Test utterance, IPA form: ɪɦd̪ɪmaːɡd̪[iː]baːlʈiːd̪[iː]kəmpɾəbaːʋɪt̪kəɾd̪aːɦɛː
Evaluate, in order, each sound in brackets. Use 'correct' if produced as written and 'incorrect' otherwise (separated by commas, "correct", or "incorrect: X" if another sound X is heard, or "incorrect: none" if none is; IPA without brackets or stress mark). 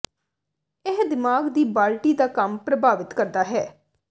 correct, incorrect: aː